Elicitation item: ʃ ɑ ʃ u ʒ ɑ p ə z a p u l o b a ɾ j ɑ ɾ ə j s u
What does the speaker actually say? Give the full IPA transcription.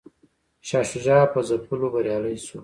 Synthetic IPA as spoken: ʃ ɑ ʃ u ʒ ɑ p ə z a p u l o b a ɾ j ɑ l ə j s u